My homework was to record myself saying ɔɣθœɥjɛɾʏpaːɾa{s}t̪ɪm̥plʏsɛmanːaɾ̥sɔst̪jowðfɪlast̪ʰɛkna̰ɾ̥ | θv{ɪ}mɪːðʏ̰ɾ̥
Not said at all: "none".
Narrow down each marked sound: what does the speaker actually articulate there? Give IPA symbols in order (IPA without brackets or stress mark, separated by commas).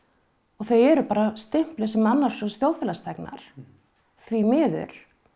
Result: s, i